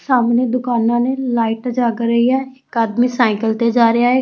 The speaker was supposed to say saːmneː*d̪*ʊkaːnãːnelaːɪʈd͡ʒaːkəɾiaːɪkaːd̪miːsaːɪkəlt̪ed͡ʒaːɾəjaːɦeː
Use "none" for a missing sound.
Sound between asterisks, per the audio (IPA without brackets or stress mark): d̪